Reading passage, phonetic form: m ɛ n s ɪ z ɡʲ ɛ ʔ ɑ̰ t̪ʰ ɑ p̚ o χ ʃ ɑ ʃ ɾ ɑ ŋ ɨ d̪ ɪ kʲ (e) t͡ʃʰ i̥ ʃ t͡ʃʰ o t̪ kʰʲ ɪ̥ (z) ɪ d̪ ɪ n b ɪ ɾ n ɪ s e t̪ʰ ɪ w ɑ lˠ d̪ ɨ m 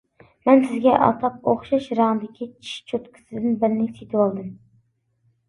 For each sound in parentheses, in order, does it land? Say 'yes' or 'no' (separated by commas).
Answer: no, no